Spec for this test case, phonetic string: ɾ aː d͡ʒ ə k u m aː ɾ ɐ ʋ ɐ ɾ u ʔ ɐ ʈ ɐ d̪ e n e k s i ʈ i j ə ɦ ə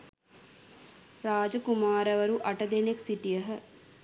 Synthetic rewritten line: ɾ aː d͡ʒ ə k u m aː ɾ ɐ ʋ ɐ ɾ u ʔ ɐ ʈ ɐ d̪ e n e k s i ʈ i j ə ɦ ə